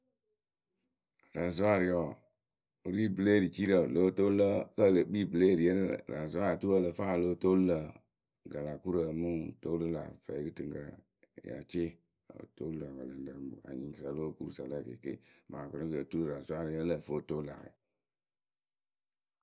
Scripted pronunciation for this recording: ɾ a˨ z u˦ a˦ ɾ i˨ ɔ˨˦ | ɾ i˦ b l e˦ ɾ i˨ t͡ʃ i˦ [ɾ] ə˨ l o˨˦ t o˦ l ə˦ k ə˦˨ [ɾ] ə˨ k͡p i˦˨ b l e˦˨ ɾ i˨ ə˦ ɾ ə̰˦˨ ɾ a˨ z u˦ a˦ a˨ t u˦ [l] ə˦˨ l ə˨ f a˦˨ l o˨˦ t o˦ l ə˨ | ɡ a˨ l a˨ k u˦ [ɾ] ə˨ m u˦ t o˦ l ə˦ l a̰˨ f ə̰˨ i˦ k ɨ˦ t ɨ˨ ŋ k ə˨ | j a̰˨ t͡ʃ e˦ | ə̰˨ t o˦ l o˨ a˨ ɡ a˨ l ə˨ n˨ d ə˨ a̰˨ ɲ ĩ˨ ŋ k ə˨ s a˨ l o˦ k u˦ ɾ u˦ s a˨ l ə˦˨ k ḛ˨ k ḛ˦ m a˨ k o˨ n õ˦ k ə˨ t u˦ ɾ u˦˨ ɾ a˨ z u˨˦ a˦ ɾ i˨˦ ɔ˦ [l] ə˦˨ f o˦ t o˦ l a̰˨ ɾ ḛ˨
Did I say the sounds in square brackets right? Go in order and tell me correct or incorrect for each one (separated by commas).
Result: correct, incorrect, incorrect, correct, correct